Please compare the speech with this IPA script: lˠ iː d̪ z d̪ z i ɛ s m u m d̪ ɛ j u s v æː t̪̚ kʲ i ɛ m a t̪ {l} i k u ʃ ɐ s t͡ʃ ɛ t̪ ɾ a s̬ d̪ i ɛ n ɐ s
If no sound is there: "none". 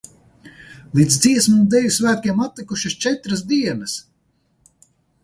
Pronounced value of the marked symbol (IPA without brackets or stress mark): l